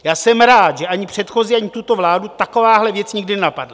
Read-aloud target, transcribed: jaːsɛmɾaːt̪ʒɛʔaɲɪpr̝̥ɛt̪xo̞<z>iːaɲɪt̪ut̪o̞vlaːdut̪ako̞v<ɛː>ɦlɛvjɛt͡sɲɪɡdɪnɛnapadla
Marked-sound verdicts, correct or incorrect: correct, incorrect: aː

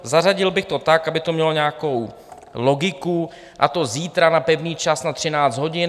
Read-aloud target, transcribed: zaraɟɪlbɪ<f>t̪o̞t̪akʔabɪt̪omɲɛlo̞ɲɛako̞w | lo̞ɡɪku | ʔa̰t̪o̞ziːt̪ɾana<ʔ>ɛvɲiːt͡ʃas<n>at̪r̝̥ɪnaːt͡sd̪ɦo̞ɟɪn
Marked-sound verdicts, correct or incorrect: incorrect: x, incorrect: p, correct

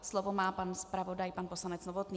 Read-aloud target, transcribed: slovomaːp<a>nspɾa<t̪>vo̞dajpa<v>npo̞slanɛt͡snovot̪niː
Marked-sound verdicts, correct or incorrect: correct, incorrect: none, incorrect: none

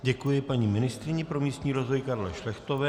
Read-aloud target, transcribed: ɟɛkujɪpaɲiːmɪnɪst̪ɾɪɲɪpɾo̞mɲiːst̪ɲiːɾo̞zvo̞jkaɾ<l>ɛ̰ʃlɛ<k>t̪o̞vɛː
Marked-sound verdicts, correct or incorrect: correct, incorrect: x

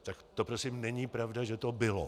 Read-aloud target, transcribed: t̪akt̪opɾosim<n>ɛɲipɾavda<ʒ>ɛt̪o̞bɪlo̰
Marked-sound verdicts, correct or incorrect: correct, correct

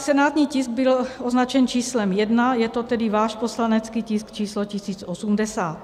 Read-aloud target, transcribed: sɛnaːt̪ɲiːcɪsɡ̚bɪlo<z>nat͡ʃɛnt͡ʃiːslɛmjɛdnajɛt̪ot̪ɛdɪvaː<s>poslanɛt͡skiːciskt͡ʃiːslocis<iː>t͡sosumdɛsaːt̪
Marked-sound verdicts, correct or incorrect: correct, incorrect: ʃ, correct

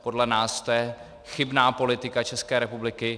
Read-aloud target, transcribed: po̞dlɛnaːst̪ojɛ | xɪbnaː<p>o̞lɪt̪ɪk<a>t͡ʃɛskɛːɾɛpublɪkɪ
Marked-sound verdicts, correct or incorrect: correct, correct

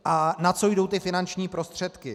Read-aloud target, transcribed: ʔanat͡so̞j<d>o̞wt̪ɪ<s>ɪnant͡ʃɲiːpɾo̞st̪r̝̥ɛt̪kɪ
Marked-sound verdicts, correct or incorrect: correct, incorrect: f

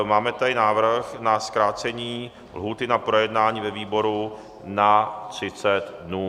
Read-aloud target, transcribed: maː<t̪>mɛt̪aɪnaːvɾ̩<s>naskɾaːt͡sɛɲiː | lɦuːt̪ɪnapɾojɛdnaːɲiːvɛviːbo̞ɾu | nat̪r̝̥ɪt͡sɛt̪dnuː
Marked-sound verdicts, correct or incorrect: incorrect: none, incorrect: x

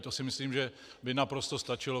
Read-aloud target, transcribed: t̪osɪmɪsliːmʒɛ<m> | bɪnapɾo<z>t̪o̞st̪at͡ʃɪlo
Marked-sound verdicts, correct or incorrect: incorrect: none, incorrect: s

